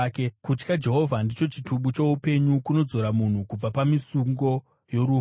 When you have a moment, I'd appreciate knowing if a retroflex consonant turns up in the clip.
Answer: no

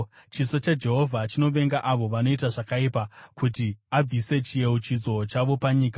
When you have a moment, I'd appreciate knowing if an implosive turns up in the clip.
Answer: no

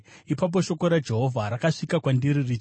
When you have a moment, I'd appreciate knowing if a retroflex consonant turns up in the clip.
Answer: yes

